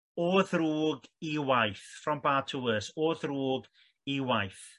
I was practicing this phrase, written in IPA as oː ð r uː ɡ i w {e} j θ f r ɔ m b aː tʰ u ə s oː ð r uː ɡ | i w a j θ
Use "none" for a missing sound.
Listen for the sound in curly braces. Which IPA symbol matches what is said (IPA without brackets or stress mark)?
a